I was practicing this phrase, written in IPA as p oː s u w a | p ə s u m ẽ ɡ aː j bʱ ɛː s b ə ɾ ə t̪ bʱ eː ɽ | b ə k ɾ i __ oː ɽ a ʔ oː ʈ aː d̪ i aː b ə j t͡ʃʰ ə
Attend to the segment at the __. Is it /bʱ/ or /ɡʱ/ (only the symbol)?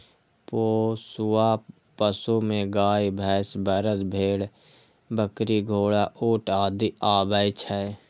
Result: ɡʱ